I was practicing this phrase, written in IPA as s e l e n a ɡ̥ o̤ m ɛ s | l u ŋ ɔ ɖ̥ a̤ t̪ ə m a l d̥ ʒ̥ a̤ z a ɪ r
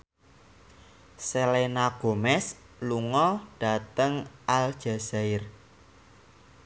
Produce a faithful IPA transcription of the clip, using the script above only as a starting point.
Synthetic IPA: s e l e n a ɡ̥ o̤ m ɛ s | l u ŋ ɔ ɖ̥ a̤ t̪ ə ŋ a l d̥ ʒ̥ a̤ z a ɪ r